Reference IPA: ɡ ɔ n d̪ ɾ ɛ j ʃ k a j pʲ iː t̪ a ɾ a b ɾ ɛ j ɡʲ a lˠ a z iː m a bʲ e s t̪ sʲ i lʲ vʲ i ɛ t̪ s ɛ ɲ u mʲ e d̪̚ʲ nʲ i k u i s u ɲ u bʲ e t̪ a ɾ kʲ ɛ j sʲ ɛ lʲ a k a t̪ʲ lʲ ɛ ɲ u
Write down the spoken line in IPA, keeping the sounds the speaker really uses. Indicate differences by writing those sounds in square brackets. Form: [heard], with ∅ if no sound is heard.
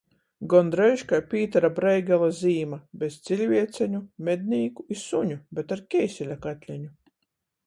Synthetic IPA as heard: ɡ ɔ n d̪ ɾ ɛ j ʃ k a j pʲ iː t̪ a ɾ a b ɾ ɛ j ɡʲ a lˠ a z iː m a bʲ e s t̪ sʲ i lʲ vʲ i ɛ t̪ s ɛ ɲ u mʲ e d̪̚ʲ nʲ [iː] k u i s u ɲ u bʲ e t̪ a ɾ kʲ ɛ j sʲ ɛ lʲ a k a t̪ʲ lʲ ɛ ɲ u